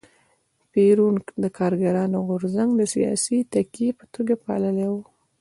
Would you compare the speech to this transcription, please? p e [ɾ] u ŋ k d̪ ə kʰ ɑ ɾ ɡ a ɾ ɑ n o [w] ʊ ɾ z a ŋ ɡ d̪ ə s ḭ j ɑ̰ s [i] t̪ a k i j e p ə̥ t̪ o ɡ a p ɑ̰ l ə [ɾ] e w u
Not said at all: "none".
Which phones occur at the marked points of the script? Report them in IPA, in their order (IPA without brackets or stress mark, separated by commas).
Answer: ɾ, ɣ, i, l